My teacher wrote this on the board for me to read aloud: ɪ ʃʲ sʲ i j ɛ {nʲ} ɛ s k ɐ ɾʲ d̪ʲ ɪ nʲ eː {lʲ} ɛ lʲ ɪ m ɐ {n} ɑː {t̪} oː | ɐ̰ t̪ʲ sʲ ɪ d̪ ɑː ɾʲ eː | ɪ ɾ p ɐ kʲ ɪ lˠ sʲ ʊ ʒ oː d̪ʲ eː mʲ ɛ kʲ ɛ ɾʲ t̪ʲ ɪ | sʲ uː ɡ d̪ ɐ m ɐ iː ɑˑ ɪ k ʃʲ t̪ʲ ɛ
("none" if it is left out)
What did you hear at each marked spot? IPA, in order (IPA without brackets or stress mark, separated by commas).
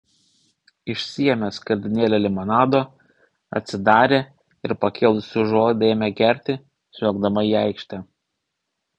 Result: mʲ, lʲ, n, d̪